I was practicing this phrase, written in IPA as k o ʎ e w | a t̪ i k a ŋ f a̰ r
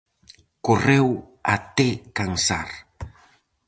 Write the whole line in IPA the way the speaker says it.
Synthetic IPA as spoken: k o r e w | a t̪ e k a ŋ s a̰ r